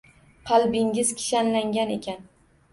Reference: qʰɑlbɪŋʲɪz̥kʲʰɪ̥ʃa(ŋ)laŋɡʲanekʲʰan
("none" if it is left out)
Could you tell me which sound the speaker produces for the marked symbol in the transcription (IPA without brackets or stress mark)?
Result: n